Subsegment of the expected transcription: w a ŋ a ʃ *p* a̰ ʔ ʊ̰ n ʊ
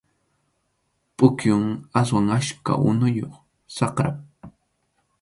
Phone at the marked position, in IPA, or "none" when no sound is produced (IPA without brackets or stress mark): k